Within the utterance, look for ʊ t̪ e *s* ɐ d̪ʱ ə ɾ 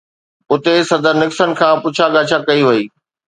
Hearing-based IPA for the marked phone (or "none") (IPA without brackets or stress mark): s